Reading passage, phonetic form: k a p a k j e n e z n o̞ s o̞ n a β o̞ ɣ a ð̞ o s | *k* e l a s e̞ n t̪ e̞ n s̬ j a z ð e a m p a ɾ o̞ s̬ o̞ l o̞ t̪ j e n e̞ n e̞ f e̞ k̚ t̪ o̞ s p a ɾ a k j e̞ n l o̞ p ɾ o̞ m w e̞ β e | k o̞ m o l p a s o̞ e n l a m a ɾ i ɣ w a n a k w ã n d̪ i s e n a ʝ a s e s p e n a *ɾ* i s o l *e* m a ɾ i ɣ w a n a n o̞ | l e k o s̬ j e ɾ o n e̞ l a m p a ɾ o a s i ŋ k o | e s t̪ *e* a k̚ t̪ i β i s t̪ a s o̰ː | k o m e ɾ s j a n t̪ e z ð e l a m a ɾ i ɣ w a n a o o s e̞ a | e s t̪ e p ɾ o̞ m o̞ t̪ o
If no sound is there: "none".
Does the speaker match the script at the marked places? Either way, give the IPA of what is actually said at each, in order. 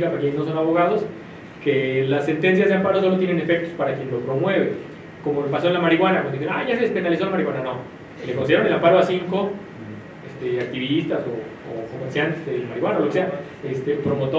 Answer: k, l, a, e

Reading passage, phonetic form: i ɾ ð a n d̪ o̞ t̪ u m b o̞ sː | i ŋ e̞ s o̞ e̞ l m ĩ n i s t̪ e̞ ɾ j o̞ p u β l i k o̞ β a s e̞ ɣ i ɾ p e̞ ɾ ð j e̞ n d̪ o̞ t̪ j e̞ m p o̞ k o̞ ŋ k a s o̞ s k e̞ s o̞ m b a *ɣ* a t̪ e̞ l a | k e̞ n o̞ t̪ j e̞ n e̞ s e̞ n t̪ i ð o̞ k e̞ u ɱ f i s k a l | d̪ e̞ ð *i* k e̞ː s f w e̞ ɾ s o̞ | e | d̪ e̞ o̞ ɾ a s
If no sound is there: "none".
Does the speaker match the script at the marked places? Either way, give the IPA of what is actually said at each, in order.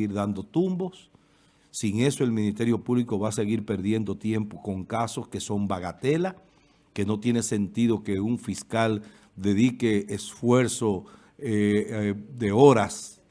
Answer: ɣ, i

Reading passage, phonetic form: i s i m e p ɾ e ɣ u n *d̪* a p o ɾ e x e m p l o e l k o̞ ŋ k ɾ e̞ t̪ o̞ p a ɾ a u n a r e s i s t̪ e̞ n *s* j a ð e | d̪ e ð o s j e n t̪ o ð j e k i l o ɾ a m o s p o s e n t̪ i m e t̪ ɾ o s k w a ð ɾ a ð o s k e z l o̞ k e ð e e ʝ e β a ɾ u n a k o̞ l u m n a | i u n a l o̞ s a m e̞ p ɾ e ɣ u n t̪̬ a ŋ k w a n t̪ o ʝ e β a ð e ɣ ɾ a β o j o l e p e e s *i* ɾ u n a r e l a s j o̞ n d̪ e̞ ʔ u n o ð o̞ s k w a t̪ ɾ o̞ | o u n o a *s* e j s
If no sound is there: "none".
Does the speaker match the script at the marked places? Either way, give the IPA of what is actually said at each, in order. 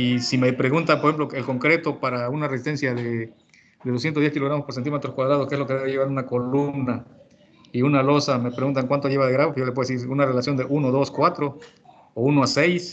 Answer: t̪, s, i, s

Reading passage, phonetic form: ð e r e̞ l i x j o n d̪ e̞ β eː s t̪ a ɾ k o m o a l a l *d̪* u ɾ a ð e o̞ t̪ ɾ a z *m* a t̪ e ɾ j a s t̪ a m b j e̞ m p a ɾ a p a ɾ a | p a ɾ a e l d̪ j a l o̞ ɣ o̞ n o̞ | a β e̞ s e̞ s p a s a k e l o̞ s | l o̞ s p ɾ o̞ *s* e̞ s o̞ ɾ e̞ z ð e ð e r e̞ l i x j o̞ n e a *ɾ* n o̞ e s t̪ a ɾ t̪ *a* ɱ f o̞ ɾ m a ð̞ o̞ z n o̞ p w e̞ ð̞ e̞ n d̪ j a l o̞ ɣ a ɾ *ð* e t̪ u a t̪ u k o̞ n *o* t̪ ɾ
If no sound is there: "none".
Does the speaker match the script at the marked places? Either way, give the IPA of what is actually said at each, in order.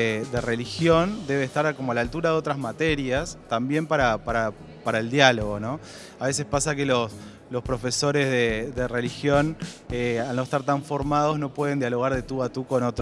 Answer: t̪, m, f, l, a, ð, o

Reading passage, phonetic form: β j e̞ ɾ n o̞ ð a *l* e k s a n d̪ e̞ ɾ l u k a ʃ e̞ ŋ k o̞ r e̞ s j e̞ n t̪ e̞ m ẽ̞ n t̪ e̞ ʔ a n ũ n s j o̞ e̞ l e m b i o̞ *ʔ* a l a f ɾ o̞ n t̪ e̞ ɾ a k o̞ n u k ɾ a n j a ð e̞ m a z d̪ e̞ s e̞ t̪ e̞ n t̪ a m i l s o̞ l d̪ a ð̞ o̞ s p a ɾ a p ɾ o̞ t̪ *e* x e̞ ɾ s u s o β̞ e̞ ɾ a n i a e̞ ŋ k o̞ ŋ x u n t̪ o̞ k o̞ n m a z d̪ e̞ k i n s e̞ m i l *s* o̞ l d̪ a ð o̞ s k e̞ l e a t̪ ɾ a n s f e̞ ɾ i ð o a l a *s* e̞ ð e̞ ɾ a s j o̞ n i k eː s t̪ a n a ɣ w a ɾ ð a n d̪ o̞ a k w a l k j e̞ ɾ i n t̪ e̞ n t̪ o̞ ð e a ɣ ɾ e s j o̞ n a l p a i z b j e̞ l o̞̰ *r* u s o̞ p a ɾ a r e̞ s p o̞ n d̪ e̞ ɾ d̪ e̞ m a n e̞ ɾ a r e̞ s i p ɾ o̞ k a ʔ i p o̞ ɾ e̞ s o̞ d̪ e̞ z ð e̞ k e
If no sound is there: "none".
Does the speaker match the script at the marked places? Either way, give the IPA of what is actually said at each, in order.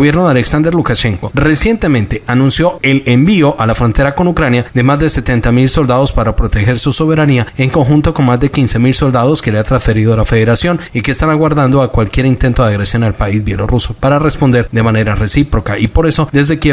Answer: l, ʔ, e, s, f, r

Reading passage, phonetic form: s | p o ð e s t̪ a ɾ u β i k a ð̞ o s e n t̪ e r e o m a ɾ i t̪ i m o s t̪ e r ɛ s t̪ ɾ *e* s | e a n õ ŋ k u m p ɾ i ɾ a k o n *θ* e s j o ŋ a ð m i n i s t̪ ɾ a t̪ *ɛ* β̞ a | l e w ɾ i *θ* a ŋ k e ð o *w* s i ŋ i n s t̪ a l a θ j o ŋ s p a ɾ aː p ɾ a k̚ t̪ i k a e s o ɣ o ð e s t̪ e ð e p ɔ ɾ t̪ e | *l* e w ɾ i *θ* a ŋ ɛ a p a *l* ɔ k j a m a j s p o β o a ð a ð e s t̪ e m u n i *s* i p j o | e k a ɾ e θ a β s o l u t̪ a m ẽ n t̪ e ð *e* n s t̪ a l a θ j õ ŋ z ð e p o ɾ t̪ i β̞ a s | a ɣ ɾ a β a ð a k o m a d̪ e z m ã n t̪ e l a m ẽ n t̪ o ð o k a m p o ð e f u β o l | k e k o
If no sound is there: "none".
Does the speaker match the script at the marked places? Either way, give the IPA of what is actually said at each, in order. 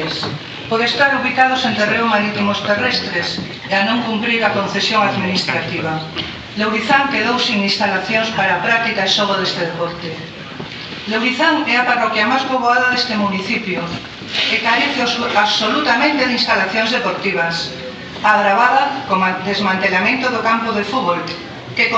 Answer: e, θ, i, θ, w, l, θ, r, θ, i

